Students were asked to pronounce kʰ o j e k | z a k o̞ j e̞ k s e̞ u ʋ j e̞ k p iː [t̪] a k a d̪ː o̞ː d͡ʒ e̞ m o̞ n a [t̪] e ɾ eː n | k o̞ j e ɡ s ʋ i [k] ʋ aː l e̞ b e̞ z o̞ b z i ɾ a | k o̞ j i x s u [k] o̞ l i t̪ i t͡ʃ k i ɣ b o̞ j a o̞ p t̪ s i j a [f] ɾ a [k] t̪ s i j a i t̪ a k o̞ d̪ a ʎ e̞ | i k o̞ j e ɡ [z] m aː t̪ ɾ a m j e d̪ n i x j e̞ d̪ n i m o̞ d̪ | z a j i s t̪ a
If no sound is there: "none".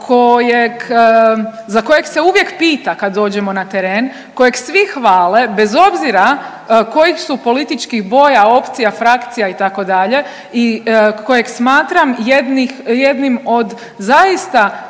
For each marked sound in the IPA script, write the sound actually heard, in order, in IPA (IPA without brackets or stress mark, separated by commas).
t̪, t̪, x, p, f, k, s